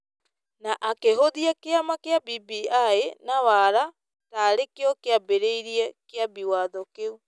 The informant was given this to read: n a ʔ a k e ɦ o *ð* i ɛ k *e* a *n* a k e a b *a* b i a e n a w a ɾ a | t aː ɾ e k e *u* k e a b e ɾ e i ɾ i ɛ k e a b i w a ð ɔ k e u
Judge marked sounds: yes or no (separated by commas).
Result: yes, yes, no, no, no